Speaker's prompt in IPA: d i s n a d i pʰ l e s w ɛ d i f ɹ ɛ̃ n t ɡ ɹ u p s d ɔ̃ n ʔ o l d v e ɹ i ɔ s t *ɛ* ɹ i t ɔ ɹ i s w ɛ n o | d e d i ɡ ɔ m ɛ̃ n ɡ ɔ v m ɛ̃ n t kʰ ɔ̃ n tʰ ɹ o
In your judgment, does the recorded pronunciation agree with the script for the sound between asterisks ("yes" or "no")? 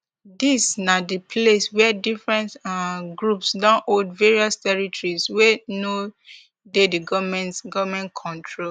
yes